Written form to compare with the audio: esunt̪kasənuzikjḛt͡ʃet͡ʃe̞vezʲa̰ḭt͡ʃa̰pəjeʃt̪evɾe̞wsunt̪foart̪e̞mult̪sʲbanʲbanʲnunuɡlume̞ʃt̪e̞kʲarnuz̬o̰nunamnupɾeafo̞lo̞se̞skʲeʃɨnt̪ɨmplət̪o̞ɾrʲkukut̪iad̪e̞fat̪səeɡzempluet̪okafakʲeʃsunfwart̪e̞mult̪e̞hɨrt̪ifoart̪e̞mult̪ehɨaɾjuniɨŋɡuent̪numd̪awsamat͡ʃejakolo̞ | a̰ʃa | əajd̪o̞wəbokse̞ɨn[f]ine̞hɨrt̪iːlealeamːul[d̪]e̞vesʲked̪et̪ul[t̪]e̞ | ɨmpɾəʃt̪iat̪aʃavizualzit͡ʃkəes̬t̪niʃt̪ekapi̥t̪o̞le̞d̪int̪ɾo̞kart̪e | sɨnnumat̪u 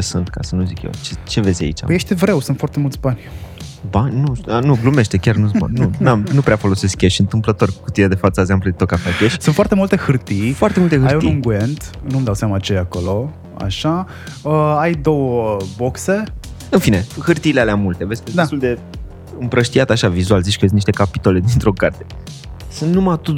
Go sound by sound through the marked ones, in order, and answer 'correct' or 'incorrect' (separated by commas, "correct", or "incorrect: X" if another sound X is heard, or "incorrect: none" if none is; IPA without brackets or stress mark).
correct, incorrect: t̪, incorrect: d̪